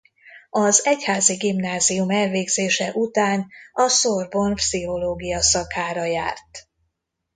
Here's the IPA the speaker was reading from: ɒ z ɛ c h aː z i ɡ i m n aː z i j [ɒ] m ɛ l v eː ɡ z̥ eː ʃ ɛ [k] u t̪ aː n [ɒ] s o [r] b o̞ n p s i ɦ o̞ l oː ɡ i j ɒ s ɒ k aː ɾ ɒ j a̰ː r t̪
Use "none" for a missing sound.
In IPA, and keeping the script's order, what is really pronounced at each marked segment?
u, ʔ, ɒ, r

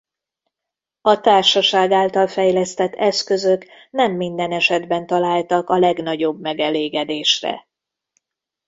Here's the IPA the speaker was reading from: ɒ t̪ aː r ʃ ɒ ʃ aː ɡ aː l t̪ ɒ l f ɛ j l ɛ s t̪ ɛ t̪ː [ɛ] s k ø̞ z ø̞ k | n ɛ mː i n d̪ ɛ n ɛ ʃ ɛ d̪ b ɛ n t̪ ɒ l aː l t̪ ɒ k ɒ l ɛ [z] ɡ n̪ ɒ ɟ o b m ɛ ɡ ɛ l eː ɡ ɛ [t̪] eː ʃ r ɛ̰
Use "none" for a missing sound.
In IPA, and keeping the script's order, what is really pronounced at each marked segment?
ɛ, none, d̪

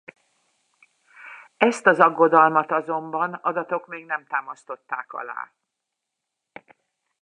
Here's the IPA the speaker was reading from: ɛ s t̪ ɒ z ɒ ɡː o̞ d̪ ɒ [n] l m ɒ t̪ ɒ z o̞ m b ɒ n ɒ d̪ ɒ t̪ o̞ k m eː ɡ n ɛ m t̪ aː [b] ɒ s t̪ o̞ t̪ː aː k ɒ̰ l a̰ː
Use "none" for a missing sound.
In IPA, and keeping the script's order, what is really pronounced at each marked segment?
none, m

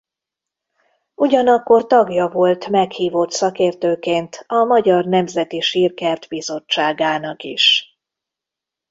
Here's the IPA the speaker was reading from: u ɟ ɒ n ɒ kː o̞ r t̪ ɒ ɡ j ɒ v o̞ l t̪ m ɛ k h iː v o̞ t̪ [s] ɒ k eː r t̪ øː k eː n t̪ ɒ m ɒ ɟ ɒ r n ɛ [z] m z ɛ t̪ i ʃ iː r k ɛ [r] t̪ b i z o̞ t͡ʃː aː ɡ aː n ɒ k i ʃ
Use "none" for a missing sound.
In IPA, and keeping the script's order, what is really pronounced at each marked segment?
s, none, r

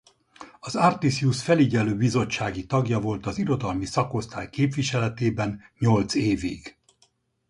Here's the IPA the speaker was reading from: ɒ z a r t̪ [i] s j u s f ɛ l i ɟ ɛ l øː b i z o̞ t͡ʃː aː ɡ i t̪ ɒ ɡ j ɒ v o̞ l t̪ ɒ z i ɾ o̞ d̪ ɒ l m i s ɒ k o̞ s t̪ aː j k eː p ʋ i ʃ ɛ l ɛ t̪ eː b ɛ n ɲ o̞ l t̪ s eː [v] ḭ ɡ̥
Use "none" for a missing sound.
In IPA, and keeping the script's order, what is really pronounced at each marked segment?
i, v

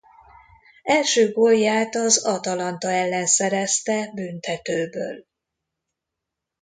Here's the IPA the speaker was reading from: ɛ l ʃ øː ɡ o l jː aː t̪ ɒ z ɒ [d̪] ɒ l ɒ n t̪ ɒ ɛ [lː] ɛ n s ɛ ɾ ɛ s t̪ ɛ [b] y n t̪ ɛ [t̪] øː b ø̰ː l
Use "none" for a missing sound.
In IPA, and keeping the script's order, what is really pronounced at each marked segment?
t̪, lː, b, t̪

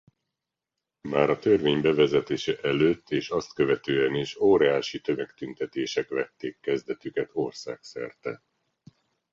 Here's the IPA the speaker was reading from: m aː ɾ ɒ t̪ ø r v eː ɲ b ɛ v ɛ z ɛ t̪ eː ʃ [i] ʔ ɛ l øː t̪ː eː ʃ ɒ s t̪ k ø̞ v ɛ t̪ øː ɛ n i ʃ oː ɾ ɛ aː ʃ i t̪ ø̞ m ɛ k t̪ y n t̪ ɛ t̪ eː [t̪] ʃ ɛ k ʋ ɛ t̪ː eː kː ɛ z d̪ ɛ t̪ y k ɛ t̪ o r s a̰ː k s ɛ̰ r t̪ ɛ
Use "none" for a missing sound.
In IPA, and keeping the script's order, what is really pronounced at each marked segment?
ɛ, none

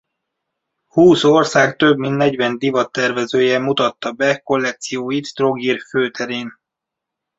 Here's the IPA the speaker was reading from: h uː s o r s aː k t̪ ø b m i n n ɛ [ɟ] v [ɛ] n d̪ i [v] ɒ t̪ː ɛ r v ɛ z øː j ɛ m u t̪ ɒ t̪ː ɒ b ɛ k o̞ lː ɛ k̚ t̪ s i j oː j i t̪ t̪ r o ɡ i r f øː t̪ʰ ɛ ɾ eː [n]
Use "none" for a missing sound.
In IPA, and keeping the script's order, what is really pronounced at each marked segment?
ɟ, ɛ, v, n

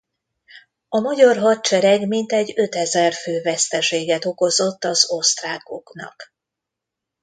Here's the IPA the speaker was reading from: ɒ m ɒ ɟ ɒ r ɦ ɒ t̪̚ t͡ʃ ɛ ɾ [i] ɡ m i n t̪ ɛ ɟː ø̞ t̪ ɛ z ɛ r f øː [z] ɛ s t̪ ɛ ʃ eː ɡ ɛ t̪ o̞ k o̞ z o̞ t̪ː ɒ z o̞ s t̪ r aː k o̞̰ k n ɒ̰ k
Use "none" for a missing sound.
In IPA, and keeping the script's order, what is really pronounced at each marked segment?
ɛ, v

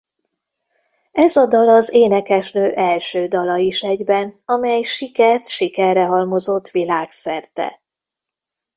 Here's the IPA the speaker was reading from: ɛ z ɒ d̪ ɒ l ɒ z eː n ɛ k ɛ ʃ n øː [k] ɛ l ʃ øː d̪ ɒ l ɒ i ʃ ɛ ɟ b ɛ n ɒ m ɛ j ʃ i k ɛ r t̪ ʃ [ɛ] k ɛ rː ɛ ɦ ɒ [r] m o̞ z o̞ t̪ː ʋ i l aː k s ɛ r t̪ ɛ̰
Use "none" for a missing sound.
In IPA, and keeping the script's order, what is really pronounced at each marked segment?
ʔ, i, l

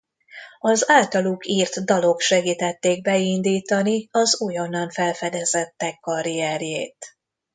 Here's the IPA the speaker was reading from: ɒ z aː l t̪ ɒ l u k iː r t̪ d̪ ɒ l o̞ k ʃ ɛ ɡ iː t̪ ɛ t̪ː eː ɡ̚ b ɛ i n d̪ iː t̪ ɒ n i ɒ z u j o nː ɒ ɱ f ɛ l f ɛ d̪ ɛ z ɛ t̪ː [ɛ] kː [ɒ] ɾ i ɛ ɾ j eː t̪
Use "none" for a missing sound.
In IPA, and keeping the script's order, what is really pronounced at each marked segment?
ɛ, ɒ

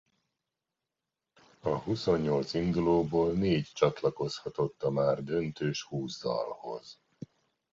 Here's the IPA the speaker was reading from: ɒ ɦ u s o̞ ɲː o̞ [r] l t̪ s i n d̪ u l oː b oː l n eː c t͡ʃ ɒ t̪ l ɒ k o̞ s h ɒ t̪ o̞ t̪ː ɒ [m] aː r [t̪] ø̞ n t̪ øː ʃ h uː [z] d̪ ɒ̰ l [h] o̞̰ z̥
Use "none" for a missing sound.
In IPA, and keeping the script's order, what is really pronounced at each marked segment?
none, m, d̪, z, h

